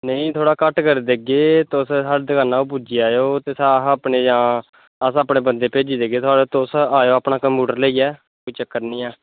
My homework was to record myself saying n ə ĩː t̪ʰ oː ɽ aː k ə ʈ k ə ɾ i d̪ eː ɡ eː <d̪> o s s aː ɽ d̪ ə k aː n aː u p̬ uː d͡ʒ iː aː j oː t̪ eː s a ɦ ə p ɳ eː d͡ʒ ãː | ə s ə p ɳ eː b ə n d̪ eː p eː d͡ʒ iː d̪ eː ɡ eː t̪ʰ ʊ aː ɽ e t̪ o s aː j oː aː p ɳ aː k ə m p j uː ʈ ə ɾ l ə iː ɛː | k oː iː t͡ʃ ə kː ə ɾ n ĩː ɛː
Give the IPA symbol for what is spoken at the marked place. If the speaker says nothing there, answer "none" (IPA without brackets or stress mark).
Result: t̪